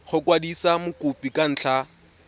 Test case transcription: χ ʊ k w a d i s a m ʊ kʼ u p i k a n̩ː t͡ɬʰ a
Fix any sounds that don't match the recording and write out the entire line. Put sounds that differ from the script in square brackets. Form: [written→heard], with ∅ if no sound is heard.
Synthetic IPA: χ ʊ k w a d i s a m ʊ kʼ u p i k a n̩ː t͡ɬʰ a